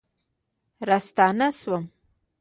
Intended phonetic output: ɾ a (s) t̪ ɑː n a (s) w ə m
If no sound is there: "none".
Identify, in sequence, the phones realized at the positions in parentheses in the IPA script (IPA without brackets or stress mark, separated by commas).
s, s